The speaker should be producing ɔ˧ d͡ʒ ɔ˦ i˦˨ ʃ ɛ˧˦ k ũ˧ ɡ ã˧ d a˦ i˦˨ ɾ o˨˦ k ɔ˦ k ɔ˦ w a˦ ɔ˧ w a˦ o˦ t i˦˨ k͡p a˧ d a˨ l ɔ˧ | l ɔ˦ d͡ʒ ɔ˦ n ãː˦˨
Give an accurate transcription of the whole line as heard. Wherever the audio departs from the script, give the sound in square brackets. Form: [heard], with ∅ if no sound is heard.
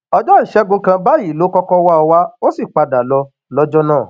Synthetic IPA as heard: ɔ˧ d͡ʒ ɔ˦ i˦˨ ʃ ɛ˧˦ [ɡ] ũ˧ [k] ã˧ [b] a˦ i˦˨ [l] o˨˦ k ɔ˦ k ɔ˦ w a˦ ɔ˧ w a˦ o˦ [s] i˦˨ k͡p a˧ d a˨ l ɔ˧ | l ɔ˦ d͡ʒ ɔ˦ n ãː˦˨